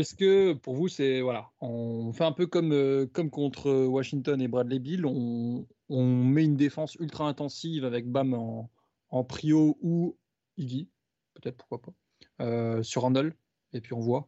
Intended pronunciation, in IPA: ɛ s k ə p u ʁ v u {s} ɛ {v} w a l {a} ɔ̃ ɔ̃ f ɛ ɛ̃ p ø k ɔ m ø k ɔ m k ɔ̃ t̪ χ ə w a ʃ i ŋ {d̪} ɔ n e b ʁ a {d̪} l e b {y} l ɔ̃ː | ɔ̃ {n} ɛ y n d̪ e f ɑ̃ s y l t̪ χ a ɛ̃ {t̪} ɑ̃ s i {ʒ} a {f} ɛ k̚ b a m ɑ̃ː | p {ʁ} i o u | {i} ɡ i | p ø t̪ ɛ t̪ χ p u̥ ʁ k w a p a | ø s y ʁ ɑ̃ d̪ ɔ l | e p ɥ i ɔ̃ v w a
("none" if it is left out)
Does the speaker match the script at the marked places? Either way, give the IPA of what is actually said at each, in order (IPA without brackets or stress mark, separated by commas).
s, v, a, t̪, d̪, i, m, t̪, v, v, χ, i